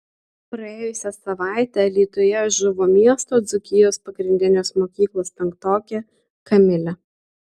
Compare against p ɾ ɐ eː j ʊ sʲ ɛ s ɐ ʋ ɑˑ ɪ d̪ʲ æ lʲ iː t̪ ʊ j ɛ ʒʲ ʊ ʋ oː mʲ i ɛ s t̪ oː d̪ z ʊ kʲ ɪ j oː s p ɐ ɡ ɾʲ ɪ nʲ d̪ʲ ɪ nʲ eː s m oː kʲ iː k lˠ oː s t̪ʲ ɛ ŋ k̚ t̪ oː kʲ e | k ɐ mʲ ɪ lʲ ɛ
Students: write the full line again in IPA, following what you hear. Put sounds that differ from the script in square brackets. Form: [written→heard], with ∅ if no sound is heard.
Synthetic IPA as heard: p ɾ ɐ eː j ʊ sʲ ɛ s ɐ ʋ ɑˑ ɪ [d̪ʲ→t̪ʲ] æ lʲ iː t̪ ʊ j ɛ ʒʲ ʊ ʋ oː mʲ i ɛ s t̪ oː d̪ z ʊ kʲ ɪ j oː s p ɐ ɡ ɾʲ ɪ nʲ d̪ʲ ɪ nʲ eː s m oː kʲ iː k lˠ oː s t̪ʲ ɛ ŋ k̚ t̪ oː kʲ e | k ɐ mʲ ɪ lʲ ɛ